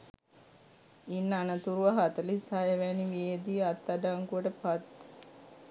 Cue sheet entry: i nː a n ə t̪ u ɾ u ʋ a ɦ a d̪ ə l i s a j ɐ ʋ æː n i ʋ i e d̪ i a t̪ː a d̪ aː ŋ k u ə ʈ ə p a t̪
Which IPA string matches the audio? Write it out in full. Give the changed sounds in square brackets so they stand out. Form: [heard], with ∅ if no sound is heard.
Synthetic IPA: i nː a n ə t̪ u ɾ u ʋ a ɦ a [t̪] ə l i s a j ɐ ʋ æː n i ʋ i e d̪ i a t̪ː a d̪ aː ŋ k u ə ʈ ə p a t̪